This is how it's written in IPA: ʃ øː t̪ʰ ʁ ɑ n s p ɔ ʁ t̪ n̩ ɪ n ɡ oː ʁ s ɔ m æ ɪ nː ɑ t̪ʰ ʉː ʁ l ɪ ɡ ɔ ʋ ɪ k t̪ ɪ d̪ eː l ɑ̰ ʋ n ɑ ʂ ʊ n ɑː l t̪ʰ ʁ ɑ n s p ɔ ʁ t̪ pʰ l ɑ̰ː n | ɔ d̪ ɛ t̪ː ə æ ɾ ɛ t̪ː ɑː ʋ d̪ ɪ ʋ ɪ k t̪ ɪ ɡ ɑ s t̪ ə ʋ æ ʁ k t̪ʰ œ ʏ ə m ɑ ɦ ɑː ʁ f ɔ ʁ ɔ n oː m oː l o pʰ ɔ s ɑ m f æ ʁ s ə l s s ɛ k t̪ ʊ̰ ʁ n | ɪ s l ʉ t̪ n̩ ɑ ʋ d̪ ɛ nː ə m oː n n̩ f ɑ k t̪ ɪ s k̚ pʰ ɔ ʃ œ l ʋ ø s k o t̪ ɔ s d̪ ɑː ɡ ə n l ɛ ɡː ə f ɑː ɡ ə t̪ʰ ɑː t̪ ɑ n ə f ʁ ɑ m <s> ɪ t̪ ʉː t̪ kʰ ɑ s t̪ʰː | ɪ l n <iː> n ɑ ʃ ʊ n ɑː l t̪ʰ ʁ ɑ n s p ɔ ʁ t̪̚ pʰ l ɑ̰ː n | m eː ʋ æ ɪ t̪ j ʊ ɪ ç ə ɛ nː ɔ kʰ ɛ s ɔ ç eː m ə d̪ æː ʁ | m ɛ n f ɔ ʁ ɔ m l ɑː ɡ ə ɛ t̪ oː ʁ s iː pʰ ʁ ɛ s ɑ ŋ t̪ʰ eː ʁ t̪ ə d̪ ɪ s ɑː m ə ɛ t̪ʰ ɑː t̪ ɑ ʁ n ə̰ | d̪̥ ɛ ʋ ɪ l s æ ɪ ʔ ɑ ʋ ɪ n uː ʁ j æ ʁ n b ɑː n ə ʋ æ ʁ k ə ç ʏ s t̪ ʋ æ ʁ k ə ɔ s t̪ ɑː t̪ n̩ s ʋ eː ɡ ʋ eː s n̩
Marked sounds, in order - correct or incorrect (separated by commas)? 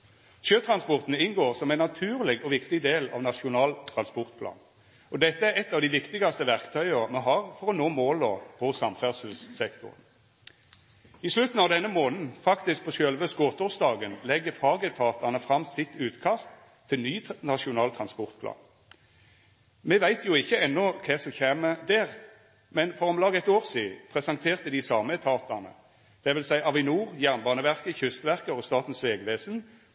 correct, incorrect